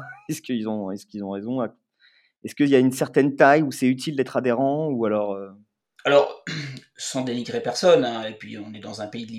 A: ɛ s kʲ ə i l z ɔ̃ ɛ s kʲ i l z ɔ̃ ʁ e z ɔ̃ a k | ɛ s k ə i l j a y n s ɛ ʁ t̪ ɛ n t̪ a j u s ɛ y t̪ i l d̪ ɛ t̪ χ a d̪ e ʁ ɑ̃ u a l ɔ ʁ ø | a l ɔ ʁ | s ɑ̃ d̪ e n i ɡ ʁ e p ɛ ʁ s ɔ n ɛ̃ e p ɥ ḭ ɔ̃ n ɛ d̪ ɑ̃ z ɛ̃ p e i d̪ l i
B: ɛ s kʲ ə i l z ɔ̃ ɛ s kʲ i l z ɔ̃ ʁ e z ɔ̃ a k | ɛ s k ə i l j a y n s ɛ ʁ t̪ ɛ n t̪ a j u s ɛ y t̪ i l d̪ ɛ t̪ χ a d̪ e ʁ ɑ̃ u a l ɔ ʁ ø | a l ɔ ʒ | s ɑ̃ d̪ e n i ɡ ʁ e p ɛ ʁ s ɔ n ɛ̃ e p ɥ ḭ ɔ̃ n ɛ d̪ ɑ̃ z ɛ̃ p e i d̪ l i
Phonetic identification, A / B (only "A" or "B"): A